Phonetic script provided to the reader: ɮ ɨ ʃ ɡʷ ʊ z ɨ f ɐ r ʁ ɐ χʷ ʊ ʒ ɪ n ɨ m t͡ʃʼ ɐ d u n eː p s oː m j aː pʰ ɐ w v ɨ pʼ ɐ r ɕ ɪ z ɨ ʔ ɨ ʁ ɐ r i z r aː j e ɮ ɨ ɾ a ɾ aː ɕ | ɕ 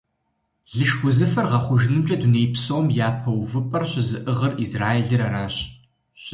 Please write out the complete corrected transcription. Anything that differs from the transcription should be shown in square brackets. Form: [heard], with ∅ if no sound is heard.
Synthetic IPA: ɮ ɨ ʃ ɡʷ ʊ z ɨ f ɐ r ʁ ɐ χʷ ʊ ʒ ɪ n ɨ m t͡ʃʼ ɐ d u n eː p s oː m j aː pʰ ɐ w v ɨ pʼ ɐ r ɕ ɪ z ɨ ʔ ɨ ʁ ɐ r i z r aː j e ɮ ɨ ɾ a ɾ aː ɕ | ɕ